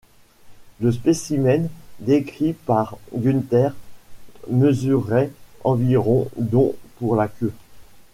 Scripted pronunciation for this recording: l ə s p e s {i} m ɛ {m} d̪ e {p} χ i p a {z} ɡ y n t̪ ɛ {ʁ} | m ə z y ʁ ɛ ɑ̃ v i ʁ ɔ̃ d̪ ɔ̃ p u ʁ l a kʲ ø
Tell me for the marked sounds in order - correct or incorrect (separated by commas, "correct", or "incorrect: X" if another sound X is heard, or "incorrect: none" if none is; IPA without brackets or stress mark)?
correct, incorrect: n, incorrect: k, incorrect: ʁ, correct